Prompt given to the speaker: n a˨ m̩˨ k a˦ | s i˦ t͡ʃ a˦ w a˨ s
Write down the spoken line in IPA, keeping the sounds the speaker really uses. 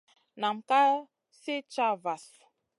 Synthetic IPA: n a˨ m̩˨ k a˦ | s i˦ t͡ʃ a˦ v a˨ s